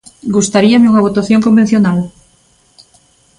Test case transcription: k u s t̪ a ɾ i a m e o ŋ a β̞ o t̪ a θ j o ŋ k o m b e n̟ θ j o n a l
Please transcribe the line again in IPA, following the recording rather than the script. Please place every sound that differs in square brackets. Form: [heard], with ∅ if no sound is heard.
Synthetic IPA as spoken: [ɡ] u s t̪ a ɾ i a m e [u] ŋ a β̞ o t̪ a θ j o ŋ k o m b e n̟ θ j o n a l